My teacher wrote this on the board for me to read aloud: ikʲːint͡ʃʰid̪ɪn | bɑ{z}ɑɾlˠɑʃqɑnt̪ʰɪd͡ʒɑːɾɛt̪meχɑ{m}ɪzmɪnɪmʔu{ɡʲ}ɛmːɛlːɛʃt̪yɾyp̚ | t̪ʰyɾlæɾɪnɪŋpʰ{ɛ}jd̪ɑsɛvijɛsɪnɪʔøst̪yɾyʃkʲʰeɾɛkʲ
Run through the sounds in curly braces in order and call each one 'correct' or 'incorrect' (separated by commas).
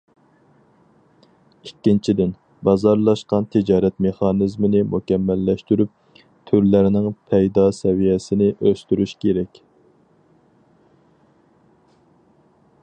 correct, incorrect, incorrect, correct